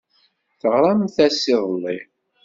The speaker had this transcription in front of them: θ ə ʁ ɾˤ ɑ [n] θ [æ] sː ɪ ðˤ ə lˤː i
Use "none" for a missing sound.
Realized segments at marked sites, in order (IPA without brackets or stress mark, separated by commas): m, æ